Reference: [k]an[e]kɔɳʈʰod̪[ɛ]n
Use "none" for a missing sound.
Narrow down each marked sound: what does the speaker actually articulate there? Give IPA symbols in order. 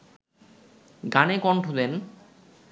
ɡ, e, e

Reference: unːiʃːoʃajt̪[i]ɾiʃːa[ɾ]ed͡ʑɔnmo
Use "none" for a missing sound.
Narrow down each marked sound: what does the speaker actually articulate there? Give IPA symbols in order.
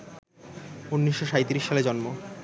i, l

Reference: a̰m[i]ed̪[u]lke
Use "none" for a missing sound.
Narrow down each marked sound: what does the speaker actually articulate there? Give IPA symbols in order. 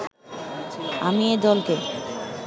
i, ɔ

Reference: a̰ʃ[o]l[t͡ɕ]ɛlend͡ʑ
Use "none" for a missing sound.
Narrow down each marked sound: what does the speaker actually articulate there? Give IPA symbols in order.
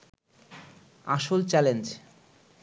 o, t͡ɕ

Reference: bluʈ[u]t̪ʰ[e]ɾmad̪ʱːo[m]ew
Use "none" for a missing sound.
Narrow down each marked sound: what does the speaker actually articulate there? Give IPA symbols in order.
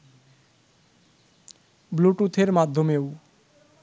u, e, m

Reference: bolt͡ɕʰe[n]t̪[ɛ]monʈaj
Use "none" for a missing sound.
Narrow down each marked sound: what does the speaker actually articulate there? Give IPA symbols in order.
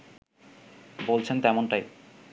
n, ɛ

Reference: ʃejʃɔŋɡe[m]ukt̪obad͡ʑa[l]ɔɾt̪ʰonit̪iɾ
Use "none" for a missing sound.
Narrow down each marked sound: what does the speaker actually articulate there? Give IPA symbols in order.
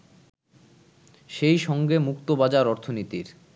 m, ɾ

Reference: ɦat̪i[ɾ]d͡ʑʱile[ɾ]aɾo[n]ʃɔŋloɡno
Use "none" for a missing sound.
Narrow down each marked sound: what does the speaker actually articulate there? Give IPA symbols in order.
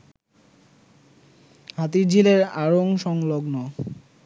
ɾ, ɾ, ŋ

